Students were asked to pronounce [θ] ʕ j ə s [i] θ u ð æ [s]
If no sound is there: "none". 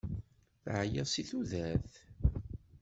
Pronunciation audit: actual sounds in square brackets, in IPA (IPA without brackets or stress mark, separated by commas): θ, i, θ